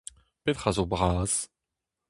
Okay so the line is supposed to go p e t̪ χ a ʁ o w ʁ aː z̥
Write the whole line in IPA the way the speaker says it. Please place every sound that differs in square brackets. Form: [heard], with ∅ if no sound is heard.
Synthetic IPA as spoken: p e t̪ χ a [z] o [b] ʁ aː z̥